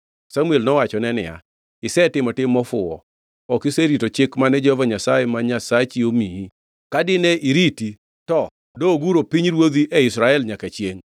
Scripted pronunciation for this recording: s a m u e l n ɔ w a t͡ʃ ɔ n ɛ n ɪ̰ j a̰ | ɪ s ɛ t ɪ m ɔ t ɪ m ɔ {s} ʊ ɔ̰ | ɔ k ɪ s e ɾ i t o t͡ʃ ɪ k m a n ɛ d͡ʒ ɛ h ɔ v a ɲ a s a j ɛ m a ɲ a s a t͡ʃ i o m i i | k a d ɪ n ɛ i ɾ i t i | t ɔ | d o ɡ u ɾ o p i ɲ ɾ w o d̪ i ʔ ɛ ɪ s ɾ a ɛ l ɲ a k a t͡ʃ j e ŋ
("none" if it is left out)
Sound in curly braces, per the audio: f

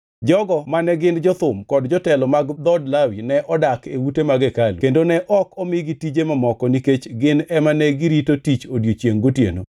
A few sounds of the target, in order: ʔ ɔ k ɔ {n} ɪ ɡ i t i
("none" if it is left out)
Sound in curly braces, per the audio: m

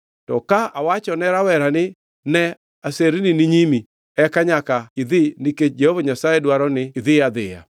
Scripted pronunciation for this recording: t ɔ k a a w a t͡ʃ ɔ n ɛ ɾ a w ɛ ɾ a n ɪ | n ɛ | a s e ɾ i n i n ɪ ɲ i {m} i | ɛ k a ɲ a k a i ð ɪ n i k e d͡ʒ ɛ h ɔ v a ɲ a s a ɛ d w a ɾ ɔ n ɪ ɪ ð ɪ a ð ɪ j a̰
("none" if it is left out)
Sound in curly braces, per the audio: m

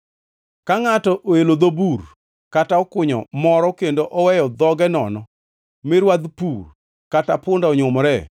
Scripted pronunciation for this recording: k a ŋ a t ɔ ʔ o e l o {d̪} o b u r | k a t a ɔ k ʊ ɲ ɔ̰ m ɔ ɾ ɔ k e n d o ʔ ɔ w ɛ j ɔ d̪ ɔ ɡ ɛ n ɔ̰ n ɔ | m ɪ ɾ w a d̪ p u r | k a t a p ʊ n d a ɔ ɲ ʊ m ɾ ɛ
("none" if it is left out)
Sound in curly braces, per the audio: d̪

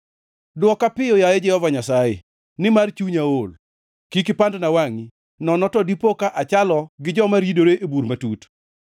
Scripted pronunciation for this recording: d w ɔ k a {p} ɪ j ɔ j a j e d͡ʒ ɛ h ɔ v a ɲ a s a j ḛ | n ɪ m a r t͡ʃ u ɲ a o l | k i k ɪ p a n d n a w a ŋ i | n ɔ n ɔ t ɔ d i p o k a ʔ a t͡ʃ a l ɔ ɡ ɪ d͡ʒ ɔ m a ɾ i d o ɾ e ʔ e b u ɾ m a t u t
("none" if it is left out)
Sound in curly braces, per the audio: p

